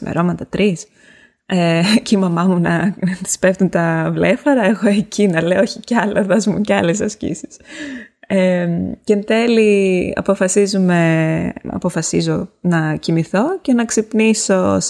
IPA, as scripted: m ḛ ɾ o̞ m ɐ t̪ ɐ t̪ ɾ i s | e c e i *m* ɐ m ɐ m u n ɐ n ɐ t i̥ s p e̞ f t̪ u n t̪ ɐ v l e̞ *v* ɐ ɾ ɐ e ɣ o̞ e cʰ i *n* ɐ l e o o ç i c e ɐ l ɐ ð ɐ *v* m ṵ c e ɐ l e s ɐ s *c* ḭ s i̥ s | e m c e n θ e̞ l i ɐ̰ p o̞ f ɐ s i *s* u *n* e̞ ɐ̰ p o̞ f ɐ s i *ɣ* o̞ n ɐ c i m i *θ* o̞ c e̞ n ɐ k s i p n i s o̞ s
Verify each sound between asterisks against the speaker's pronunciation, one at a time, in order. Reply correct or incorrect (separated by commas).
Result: correct, incorrect, correct, incorrect, correct, incorrect, incorrect, incorrect, correct